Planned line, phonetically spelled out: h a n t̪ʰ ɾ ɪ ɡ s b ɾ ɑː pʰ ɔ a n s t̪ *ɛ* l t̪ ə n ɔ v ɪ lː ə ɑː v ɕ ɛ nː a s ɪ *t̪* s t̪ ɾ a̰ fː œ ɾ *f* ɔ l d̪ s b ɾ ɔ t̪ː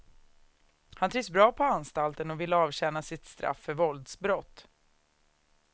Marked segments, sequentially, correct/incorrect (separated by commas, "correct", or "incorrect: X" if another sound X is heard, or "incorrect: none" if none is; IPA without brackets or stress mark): incorrect: a, correct, incorrect: v